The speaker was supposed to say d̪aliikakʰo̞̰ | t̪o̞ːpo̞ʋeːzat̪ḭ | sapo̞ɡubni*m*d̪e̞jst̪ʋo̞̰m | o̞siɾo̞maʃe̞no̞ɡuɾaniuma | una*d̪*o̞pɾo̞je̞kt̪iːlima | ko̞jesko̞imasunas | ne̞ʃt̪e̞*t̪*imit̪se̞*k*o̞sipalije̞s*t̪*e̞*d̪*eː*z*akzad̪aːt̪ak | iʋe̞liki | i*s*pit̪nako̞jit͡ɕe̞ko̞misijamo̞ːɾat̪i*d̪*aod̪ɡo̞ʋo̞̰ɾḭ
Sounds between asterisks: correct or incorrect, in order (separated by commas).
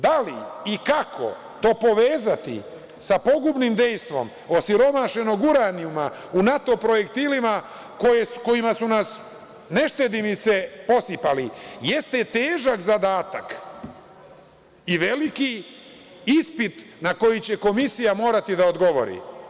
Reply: correct, incorrect, incorrect, incorrect, correct, incorrect, incorrect, correct, correct